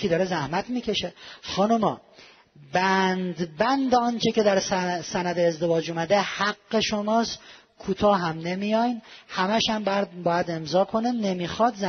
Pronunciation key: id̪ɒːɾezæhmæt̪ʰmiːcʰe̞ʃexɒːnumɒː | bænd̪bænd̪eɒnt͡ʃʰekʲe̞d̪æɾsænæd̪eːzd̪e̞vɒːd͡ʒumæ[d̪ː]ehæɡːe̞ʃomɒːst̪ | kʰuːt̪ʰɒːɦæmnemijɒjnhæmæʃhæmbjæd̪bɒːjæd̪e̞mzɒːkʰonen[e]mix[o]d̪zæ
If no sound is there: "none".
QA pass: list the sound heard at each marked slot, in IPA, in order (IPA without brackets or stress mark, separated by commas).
d̪, e, ɒ